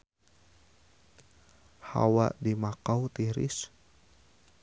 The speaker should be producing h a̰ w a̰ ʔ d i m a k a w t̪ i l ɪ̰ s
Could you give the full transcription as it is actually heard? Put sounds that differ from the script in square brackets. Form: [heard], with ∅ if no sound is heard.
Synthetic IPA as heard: h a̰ w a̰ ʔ d i m a k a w t̪ i [ɾ] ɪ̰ s